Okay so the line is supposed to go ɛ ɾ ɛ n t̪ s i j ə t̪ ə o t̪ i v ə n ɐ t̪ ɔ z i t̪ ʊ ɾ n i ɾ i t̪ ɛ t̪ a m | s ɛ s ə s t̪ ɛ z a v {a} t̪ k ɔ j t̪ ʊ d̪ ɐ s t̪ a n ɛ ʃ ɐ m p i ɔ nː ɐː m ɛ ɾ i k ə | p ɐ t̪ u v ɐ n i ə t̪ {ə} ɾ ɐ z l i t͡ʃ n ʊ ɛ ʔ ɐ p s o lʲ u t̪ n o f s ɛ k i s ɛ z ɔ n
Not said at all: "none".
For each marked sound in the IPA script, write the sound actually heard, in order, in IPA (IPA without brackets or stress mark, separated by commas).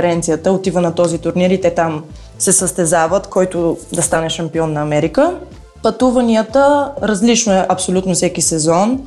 ə, ə